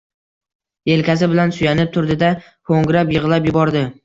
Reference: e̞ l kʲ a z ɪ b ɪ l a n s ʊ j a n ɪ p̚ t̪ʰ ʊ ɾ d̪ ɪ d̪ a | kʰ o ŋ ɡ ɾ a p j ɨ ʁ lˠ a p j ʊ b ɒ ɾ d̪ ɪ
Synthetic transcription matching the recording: e̞ l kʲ a s ɪ b ɪ l a n s ʊ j a n ɪ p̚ t̪ʰ ʊ ɾ d̪ ɪ d̪ a | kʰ o ŋ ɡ ɾ a p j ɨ ʁ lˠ a p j ʊ b ɒ ɾ d̪ ɪ

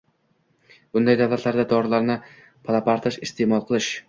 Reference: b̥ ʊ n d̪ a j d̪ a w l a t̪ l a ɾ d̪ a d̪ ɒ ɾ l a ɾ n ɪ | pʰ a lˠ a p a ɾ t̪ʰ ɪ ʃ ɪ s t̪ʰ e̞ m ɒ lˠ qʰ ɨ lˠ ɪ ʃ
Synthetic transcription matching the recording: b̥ ʊ n d̪ a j d̪ a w l a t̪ l a ɾ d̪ a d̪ ɒ ɾ l a ɾ n ɪ | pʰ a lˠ a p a ɾ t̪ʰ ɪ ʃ ɪ s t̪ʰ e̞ m ɒ lˠ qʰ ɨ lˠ ɪ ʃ

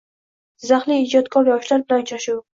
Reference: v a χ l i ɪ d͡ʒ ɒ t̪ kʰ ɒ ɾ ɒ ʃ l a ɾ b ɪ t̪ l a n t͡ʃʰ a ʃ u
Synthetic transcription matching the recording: z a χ l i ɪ d͡ʒ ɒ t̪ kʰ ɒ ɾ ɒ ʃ l a ɾ b ɪ l a n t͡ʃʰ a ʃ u

